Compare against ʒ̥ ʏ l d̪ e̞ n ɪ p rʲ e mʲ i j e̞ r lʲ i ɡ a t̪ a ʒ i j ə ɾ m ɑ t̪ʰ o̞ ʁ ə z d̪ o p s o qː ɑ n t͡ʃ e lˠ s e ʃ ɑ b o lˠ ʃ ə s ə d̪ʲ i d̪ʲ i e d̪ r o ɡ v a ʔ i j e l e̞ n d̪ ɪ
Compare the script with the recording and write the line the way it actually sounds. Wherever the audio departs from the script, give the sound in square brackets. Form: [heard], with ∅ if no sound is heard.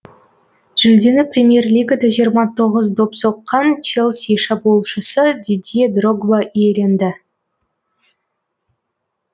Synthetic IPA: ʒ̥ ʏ l d̪ e̞ n ɪ p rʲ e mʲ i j e̞ r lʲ i ɡ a [d̪] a ʒ i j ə ɾ m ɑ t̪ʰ o̞ ʁ ə z d̪ o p s o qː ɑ n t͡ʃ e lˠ s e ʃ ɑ b o lˠ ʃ ə s ə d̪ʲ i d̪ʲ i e d̪ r o ɡ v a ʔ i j e l e̞ n d̪ ɪ